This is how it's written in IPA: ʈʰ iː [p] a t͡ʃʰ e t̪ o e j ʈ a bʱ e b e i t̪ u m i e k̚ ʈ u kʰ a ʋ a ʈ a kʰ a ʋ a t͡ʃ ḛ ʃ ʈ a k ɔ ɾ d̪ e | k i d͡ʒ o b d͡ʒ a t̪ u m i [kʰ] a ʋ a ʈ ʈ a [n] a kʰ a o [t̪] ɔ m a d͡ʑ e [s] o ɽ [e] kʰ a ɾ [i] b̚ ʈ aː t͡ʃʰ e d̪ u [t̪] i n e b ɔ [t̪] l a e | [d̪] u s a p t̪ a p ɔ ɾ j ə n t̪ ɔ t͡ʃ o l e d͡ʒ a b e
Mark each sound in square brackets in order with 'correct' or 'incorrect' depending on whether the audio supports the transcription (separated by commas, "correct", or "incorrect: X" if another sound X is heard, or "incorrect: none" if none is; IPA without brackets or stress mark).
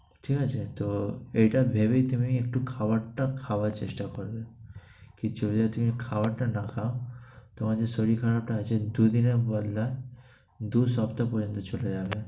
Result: incorrect: k, correct, correct, correct, correct, incorrect: i, incorrect: a, incorrect: d̪, incorrect: d̪, correct